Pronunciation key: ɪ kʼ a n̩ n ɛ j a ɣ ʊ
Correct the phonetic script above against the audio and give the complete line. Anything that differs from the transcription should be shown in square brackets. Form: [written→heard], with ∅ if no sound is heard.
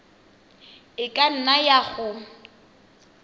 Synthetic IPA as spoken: ɪ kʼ a n̩ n [ɛ→a] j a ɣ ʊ